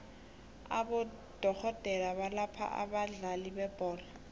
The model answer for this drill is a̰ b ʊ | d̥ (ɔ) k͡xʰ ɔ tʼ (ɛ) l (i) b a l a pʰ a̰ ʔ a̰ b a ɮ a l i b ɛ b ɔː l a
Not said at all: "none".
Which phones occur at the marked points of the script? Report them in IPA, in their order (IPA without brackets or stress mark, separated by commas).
ɔ, ɛ, a